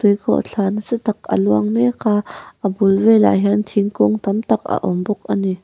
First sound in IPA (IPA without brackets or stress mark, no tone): t̪